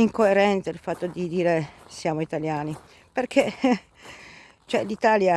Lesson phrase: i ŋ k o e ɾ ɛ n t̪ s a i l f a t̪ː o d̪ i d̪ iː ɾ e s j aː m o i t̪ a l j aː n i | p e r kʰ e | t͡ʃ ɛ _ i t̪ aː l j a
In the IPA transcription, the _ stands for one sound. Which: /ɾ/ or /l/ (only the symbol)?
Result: l